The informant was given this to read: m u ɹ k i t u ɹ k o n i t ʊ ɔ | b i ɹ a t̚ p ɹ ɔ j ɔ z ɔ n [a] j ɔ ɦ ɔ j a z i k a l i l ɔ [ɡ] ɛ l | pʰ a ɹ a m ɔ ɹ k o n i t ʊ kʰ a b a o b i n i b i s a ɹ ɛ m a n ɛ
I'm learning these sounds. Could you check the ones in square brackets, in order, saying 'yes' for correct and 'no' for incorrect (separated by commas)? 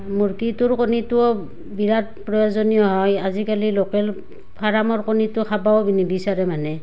no, no